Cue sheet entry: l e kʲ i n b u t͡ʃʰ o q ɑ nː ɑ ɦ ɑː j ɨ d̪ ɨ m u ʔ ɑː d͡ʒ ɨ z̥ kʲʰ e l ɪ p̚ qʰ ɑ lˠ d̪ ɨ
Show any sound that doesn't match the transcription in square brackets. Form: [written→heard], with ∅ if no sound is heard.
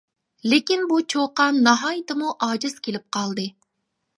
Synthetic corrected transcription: l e kʲ i n b u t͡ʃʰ o q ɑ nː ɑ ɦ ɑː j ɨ [d̪→t̪] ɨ m u ʔ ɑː d͡ʒ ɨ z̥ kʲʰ e l ɪ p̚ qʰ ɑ lˠ d̪ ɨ